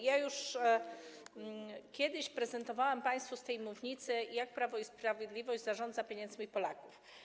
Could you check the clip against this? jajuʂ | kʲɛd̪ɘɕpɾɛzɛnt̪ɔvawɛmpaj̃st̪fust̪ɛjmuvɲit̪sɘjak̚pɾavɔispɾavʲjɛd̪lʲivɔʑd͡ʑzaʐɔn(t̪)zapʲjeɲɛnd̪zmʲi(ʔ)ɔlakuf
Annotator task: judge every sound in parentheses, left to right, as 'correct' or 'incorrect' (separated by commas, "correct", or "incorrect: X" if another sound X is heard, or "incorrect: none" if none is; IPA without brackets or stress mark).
incorrect: d̪, incorrect: p